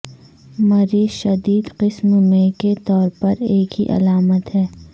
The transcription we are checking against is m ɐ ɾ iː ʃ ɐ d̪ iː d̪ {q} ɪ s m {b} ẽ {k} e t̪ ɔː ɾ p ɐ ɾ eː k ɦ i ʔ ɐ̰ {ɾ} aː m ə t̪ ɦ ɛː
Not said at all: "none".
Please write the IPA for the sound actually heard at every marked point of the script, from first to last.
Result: q, m, k, l

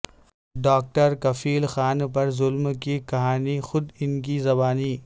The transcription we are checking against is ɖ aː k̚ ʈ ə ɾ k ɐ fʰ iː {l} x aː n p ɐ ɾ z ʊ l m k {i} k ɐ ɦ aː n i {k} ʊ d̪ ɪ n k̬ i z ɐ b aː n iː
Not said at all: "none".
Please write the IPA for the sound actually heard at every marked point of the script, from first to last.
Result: l, i, x

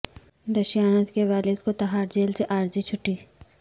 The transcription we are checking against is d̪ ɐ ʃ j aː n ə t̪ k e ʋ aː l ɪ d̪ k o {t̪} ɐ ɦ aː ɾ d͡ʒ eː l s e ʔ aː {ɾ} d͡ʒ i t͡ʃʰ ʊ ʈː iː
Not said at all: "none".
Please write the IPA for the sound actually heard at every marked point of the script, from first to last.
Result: t̪, ɾ

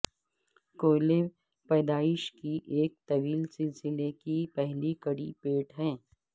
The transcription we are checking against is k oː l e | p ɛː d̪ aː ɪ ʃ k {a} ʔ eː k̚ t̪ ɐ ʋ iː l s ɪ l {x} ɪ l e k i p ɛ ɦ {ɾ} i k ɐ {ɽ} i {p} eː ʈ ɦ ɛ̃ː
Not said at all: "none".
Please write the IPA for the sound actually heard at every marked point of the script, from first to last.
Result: i, s, l, ɽ, p

